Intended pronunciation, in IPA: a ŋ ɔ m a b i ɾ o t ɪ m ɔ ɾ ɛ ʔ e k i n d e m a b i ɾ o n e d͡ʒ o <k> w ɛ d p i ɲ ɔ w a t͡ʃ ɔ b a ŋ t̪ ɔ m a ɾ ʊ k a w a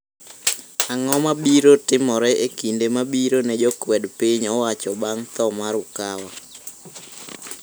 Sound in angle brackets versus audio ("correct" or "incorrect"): correct